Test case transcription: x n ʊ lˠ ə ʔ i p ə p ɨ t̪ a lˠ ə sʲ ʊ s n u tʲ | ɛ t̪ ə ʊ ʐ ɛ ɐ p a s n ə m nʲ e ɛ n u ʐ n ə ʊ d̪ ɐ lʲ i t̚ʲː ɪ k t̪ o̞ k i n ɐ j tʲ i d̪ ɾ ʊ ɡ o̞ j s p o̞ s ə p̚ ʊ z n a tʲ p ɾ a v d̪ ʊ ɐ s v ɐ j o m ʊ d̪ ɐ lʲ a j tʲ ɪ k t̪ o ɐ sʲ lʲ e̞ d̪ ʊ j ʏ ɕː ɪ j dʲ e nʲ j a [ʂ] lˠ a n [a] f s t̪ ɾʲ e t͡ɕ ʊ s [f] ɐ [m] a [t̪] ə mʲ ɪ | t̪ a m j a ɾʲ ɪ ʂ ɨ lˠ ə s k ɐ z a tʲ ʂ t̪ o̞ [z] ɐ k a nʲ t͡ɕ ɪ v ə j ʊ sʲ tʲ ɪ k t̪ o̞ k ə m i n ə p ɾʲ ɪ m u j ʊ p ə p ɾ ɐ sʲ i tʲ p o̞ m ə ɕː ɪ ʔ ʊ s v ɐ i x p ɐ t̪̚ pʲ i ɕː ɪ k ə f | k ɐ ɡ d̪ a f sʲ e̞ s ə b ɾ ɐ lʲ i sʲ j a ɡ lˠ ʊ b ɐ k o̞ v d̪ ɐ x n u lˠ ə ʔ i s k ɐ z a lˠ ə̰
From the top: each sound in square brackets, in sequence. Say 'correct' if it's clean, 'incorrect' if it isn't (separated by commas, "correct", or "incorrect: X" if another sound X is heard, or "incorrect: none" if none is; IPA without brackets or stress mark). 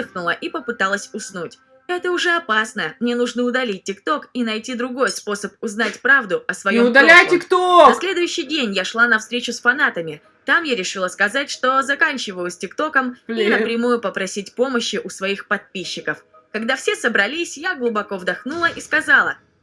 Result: correct, incorrect: ɐ, correct, incorrect: n, correct, correct